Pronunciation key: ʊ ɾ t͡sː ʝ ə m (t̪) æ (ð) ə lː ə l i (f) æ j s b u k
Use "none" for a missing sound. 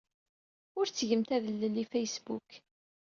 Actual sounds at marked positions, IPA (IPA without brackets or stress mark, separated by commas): t̪, ð, f